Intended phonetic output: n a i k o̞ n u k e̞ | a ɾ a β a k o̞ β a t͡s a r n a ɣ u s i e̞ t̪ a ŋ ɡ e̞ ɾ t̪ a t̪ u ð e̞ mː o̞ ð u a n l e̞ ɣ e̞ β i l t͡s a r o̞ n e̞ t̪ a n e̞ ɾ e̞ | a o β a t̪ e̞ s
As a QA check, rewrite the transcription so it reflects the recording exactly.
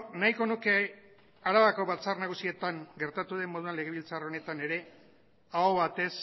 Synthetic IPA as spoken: n a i k o̞ n u k e̞ | a ɾ a β a k o̞ β a t͡s a r n a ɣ u s i e̞ t̪ a ŋ ɡ e̞ ɾ t̪ a t̪ u ð e̞ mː o̞ ð u a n l e̞ ɣ e̞ β i l t͡s a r o̞ n e̞ t̪ a n e̞ ɾ e̞ | a o β a t̪ e̞ s